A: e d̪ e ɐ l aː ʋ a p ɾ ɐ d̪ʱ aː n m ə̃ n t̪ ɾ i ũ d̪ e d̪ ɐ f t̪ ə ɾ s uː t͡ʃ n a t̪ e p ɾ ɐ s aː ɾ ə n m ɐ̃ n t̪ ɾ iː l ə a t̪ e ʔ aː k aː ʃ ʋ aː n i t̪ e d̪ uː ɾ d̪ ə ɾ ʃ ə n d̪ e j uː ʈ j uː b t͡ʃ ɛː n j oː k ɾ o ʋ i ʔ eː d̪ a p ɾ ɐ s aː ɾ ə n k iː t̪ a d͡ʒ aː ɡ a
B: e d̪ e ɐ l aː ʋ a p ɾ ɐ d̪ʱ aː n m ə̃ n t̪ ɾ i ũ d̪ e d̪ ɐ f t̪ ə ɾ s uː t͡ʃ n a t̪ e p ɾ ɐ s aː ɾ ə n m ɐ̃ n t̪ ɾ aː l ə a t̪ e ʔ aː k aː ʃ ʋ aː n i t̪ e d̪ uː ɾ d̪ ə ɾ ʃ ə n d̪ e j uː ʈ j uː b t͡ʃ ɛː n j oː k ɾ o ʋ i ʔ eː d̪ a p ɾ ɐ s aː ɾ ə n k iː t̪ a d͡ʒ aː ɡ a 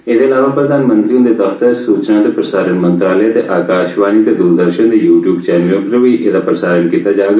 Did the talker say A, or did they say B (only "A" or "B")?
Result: B